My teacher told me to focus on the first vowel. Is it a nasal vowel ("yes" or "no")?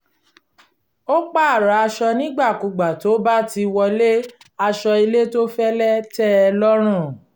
no